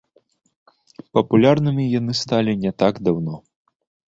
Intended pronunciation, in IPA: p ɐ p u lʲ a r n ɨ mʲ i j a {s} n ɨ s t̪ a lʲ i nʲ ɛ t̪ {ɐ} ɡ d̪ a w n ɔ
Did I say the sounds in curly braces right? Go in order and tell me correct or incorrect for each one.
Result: incorrect, incorrect

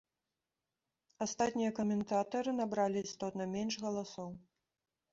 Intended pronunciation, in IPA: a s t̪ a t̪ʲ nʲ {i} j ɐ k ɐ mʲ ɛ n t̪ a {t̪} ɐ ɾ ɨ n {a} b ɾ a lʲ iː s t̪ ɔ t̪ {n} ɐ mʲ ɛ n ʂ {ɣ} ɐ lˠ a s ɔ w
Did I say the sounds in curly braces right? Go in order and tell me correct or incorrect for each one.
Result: correct, correct, correct, correct, correct

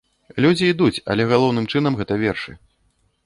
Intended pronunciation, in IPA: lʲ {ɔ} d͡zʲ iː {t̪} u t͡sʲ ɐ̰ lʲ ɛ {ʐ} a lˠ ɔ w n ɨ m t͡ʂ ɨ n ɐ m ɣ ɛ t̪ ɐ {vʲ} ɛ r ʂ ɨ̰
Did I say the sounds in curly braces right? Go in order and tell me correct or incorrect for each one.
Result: incorrect, incorrect, incorrect, correct

